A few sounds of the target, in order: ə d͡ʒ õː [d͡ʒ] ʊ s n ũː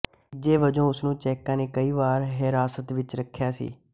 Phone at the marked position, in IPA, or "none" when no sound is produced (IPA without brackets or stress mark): none